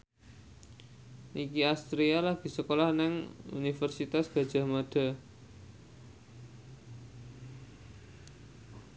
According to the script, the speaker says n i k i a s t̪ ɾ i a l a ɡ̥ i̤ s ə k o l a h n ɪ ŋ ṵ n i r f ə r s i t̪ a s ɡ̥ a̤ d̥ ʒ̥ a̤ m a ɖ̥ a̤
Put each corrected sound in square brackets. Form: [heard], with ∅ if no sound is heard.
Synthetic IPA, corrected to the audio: n i k i a s t̪ ɾ i a l a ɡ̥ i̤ s ə k o l a h n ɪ ŋ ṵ n i [∅] f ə r s i t̪ a s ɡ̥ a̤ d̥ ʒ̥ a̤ m a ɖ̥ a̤